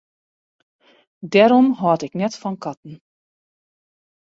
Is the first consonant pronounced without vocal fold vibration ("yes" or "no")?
no